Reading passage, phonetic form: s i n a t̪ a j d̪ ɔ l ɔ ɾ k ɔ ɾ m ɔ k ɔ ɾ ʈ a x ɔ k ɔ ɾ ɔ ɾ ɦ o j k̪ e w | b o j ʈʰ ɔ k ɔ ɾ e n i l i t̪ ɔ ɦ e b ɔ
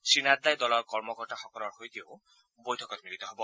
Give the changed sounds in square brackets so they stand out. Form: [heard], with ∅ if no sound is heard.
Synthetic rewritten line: s i n a [d̪] a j d̪ ɔ l ɔ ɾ k ɔ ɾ m ɔ k ɔ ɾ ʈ a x ɔ k ɔ ɾ ɔ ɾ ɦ o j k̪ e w | b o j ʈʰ ɔ k ɔ ɾ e [m] i l i t̪ ɔ ɦ e b ɔ